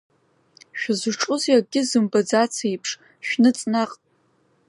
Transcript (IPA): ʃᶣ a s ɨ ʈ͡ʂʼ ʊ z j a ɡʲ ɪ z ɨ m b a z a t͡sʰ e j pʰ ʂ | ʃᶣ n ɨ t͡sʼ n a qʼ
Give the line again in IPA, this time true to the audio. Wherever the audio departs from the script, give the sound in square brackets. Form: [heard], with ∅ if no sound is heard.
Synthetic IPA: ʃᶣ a [z] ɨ ʈ͡ʂʼ ʊ z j a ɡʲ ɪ z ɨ m b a [d͡z] a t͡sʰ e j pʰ ʂ | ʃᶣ n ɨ t͡sʼ n a qʼ